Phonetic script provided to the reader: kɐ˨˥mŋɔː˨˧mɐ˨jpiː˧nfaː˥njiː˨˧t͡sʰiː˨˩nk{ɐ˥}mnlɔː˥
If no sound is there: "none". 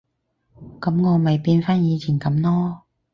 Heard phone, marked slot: ɐ˨˥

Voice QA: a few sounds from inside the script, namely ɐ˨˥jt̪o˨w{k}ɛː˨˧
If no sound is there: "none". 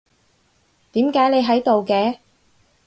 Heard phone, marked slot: k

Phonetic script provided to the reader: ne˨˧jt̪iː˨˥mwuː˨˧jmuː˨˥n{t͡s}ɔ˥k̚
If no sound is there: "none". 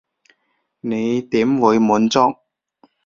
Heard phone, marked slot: t͡s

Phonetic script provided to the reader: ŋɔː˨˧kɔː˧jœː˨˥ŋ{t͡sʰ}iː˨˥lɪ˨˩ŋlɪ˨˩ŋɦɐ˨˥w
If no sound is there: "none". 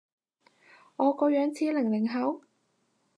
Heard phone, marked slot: t͡sʰ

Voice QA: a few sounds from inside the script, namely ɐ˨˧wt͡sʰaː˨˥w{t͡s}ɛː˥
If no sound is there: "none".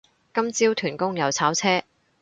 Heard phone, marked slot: t͡sʰ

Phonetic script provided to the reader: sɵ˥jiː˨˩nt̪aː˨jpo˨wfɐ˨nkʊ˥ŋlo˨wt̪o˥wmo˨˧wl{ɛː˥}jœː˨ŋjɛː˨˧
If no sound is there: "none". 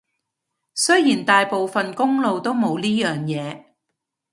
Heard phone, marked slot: iː˥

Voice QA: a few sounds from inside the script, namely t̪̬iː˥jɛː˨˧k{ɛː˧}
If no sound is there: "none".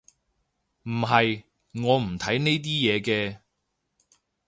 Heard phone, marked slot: ɛː˧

